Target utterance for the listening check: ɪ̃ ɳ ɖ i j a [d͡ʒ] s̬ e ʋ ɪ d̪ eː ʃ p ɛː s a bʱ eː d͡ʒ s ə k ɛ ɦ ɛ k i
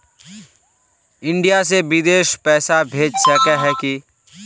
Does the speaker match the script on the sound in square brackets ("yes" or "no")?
no